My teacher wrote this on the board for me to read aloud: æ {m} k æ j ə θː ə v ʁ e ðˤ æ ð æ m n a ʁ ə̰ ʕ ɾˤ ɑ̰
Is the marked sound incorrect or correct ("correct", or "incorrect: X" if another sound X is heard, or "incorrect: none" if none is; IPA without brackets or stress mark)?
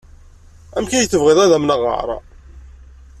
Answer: correct